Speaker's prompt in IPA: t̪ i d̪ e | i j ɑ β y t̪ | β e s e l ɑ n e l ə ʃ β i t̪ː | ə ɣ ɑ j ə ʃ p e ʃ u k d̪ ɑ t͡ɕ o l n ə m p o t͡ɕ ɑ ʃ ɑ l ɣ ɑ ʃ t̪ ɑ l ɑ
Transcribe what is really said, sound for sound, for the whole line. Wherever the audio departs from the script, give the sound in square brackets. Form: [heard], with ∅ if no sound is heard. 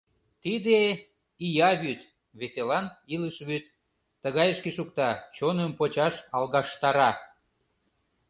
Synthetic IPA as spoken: t̪ i d̪ e | i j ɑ β y t̪ | β e s e l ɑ n [i] l ə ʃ β [y] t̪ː | ə ɣ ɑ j ə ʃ [k] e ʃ u k [t̪] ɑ t͡ɕ o [∅] n ə m p o t͡ɕ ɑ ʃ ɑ l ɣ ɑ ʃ t̪ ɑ [ɾ] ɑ